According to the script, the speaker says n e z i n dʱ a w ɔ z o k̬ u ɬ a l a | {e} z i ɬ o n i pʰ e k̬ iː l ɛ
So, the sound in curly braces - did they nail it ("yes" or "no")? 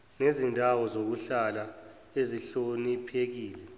yes